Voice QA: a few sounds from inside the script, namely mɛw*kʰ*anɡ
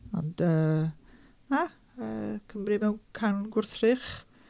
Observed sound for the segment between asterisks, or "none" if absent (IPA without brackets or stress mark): kʰ